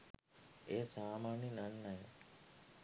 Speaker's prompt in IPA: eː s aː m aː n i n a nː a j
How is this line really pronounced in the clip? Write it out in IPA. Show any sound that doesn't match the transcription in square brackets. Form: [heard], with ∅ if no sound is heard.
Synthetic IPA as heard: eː s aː m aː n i n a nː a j

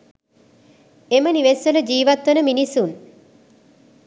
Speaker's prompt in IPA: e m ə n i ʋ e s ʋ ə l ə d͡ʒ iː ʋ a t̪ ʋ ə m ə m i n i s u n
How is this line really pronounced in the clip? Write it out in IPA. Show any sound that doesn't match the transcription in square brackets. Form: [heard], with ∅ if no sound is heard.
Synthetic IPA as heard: e m ə n i ʋ e s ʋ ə l ə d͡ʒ iː ʋ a t̪ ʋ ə [n] ə m i n i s u n

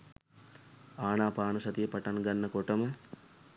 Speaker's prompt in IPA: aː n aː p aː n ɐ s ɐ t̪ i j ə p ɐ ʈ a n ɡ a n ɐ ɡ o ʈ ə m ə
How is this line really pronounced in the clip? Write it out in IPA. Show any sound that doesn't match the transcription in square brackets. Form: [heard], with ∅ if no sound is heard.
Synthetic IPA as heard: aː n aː p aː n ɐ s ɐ t̪ i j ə p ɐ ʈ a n ɡ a [nː] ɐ [k] o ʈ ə m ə

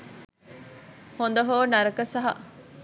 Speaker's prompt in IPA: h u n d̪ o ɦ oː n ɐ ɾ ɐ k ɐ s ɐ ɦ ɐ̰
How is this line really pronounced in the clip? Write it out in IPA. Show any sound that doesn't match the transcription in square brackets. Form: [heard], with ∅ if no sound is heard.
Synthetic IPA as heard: h [o] n d̪ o ɦ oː n ɐ ɾ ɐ k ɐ s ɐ ɦ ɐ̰

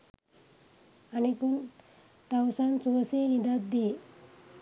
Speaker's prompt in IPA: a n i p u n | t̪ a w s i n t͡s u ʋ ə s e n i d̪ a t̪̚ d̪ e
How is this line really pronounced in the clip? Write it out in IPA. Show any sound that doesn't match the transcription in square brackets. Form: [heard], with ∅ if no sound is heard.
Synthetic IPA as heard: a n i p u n | t̪ a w s [a] n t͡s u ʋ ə s e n i d̪ a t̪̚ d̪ e

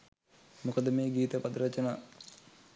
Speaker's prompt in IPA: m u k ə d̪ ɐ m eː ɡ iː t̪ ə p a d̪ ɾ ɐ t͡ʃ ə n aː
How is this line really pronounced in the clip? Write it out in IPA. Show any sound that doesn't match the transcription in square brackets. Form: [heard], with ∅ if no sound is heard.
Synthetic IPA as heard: m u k ə d̪ [ə] m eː ɡ iː t̪ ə p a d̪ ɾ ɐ t͡ʃ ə n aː

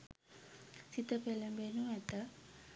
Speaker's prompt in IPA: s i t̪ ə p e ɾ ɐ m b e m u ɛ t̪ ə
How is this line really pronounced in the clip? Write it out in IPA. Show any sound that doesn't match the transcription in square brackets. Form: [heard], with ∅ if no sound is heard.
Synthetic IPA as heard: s i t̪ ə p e [l] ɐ m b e [n] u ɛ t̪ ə

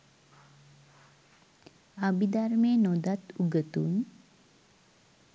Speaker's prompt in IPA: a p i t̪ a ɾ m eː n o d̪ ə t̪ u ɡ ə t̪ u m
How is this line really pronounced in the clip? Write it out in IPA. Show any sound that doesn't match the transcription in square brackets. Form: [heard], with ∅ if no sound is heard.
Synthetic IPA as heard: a [b] i [d̪] a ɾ m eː n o d̪ [a] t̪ u ɡ ə t̪ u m

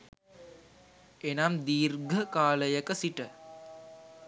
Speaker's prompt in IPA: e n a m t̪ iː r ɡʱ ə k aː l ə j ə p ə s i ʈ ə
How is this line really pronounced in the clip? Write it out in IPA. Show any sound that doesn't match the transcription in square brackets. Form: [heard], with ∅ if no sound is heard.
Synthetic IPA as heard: e n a m [d̪] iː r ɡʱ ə k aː l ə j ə [k] ə s i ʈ ə

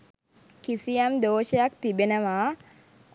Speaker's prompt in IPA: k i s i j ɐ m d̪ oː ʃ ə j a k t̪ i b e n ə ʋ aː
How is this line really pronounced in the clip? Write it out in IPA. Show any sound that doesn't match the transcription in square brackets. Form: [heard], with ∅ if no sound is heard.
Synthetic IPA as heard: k i s i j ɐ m d̪ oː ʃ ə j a k t̪ i b e n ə ʋ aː

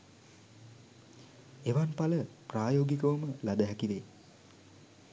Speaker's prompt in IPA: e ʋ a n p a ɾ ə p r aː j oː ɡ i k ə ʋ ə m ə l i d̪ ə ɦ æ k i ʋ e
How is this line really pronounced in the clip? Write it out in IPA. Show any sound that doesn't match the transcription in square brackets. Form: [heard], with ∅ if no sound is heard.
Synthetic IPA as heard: e ʋ a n p a [l] ə p r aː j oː ɡ i k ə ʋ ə m ə l [a] d̪ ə ɦ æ k i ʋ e

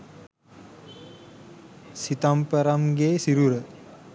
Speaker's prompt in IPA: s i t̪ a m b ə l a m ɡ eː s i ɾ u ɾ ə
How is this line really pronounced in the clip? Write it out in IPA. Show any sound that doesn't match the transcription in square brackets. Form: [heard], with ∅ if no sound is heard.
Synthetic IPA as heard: s i t̪ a m [p] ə [ɾ] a m ɡ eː s i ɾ u ɾ ə

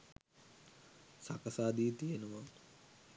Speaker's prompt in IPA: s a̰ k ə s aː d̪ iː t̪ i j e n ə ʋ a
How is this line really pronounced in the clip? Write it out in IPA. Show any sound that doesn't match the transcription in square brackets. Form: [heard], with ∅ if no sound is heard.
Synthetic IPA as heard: s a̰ k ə s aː d̪ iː t̪ i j e n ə ʋ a

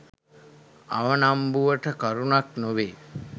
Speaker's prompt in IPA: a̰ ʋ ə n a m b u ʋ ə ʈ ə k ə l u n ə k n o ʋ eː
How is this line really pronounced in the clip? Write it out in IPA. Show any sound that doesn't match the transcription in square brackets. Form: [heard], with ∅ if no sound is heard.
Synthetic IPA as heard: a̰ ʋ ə n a m b u ʋ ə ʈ ə k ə [ɾ] u n [a] k n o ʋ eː

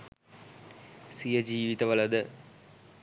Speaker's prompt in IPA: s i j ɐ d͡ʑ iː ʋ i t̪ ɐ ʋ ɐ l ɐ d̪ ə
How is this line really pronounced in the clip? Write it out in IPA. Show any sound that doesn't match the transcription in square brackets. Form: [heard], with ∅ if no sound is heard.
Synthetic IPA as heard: s i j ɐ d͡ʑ iː ʋ i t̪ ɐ ʋ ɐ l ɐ d̪ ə

